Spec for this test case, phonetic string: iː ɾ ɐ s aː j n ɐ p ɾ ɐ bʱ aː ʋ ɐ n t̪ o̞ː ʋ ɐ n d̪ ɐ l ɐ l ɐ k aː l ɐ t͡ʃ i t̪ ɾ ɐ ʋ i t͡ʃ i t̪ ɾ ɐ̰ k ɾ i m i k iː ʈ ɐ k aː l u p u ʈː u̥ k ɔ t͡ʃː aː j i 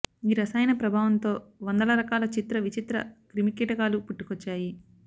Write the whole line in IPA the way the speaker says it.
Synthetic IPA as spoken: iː ɾ ɐ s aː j n ɐ p ɾ ɐ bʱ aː ʋ ɐ n t̪ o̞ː ʋ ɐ n d̪ ɐ l ɐ ɾ ɐ k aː l ɐ t͡ʃ i t̪ ɾ ɐ ʋ i t͡ʃ i t̪ ɾ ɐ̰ k ɾ i m i k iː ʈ ɐ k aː l u p u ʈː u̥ k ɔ t͡ʃː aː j i